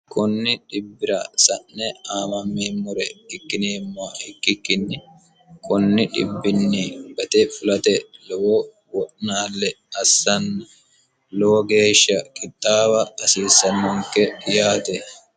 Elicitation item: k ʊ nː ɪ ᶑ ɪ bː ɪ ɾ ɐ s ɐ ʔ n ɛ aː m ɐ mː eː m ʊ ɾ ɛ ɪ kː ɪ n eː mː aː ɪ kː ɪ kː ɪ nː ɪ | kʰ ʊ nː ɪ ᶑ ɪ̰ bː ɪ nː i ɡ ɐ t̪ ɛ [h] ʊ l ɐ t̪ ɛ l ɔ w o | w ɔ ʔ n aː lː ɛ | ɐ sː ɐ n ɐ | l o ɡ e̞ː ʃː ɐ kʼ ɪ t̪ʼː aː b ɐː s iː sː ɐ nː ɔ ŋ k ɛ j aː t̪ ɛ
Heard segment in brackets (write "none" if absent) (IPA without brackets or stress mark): f